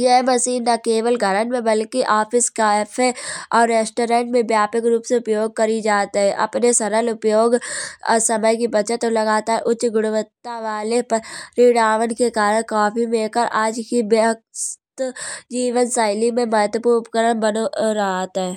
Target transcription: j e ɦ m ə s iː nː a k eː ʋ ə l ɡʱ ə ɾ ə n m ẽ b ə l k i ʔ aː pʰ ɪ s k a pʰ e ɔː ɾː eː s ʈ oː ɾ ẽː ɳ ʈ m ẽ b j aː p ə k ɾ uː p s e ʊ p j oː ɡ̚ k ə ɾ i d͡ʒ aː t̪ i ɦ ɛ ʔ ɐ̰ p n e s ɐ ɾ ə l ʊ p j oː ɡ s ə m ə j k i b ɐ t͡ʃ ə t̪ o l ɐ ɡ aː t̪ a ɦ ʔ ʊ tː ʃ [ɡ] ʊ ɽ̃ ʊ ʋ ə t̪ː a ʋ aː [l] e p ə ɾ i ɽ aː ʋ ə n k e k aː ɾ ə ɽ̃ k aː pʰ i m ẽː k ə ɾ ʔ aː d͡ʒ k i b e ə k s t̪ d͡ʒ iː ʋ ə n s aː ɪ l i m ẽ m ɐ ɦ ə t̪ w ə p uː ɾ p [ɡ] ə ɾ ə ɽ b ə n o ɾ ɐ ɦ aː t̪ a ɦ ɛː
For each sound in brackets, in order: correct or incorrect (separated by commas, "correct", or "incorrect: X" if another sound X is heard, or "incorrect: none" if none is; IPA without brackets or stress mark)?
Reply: correct, correct, incorrect: k